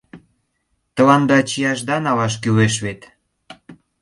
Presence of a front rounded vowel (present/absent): present